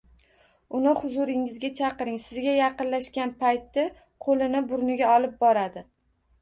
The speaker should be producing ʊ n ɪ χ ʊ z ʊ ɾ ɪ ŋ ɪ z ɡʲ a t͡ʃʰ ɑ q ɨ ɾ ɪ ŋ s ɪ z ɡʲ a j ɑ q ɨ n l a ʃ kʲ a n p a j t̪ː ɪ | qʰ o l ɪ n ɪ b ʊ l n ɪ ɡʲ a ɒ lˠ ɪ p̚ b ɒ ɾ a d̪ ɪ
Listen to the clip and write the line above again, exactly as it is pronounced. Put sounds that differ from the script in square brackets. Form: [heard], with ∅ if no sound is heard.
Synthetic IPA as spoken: ʊ n ɪ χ ʊ z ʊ ɾ ɪ ŋ ɪ z ɡʲ a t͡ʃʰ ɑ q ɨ ɾ ɪ ŋ s ɪ z ɡʲ a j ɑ q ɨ n l a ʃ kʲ a n p a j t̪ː ɪ | qʰ o l ɪ n ɪ b ʊ [ɾ] n ɪ ɡʲ a ɒ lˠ ɪ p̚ b ɒ ɾ a d̪ ɪ

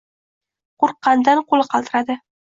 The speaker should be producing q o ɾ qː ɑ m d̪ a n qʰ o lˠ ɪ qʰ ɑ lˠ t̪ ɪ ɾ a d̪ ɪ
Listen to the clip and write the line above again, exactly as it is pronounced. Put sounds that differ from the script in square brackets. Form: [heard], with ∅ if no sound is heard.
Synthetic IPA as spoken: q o ɾ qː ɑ [n] d̪ a n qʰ o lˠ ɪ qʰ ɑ lˠ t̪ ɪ ɾ a d̪ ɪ

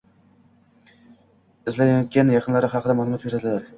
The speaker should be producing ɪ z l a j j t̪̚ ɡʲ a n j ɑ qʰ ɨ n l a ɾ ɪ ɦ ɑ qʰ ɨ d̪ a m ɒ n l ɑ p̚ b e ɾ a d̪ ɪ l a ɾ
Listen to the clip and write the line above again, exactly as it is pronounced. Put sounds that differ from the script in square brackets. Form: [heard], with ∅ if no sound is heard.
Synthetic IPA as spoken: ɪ z l a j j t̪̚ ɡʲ a n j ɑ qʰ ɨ n l a ɾ ɪ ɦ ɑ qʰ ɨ d̪ a m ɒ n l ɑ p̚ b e ɾ a d̪ ɪ l a ɾ

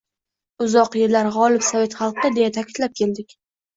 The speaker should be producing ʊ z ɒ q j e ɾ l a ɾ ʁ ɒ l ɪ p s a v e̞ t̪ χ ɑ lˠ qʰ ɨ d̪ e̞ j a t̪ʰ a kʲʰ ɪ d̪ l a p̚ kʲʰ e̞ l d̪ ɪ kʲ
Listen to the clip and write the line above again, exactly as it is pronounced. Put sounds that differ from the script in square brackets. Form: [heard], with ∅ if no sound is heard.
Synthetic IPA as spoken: ʊ z ɒ q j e ɾ l a ɾ ʁ ɒ l ɪ p s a v e̞ t̪ χ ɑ lˠ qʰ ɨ d̪ e̞ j a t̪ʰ a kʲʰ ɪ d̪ l a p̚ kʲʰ e̞ l d̪ ɪ kʲ

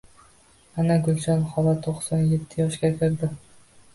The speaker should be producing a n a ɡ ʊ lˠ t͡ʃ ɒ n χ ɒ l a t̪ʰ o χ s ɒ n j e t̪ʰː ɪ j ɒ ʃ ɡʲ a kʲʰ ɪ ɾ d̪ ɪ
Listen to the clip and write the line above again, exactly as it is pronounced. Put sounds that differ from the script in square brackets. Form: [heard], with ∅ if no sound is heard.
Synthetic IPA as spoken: a n a ɡ ʊ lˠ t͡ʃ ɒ n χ ɒ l a t̪ʰ o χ s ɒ n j e t̪ʰː ɪ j ɒ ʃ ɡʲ a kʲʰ ɪ ɾ d̪ ɪ

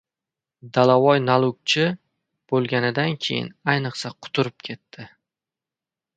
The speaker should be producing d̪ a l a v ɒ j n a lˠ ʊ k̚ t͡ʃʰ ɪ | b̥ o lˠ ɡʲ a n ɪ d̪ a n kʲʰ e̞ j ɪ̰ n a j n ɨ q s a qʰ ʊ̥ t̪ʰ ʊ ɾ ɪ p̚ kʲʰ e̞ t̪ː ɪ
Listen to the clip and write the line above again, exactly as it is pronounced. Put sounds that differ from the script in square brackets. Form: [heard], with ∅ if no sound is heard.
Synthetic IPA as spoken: d̪ a l a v ɒ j n a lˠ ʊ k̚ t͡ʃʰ ɪ | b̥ o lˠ ɡʲ a n ɪ d̪ a n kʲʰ e̞ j ɪ̰ n a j n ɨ q s a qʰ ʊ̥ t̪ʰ ʊ ɾ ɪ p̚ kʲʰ e̞ t̪ː ɪ

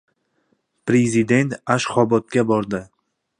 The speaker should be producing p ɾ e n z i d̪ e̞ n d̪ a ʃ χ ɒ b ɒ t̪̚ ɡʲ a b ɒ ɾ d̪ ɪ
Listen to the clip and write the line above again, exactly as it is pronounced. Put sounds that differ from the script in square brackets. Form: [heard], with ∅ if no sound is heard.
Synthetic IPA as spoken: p ɾ e [∅] z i d̪ e̞ n [t̪] a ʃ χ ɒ b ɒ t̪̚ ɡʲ a b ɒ ɾ d̪ ɪ

